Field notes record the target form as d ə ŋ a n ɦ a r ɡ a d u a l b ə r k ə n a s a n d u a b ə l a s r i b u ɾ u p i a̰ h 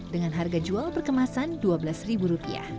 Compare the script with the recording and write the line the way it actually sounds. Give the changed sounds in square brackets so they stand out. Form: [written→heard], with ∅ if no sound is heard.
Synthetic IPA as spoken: d ə ŋ a n ɦ a r ɡ a [d→d͡ʒ] u a l [b→p] ə r k ə [n→m] a s a n d u a b ə l a s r i b u ɾ u p i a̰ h